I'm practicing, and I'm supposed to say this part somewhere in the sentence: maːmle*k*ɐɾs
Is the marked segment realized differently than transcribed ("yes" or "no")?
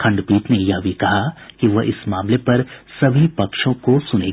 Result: yes